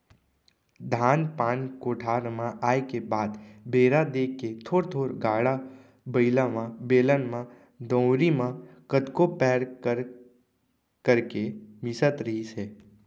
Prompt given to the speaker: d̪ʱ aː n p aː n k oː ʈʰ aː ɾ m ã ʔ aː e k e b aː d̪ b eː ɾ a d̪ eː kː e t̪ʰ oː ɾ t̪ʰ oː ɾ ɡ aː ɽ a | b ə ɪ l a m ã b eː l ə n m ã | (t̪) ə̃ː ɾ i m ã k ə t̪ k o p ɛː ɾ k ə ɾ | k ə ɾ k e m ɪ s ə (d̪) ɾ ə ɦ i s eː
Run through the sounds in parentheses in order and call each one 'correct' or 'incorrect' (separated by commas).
incorrect, incorrect